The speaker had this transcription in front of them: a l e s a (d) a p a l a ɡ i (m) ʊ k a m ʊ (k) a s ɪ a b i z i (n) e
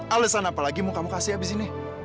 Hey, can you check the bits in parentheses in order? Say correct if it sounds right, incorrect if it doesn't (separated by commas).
incorrect, correct, correct, correct